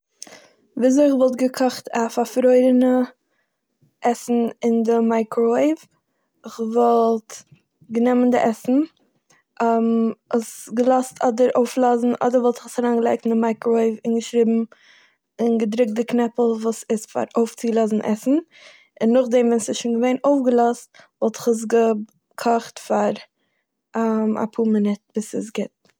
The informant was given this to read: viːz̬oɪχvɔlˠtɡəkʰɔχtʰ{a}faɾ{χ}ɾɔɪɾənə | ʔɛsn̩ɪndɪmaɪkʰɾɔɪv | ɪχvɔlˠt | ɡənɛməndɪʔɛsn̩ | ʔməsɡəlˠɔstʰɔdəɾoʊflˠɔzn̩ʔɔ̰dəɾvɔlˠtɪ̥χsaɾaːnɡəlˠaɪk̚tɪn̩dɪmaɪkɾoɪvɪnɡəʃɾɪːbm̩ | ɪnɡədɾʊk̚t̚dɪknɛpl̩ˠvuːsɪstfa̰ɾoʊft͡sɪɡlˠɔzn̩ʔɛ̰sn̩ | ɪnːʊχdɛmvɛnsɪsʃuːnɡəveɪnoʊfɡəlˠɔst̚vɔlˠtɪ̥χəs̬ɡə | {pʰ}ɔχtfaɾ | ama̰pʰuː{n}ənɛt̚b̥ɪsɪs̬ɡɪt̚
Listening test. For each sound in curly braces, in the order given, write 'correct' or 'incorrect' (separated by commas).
correct, incorrect, incorrect, incorrect